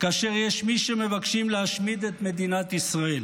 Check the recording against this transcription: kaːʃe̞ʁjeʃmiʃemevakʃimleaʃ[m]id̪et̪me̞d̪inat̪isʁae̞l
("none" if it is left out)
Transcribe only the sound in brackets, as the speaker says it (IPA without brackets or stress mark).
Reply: m